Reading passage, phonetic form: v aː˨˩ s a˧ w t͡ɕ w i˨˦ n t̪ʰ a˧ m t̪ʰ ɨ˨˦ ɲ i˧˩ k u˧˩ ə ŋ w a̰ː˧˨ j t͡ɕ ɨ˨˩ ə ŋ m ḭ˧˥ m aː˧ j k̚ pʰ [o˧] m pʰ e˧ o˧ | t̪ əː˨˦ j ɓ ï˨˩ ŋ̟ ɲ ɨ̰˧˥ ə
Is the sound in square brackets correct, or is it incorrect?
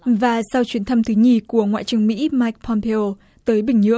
incorrect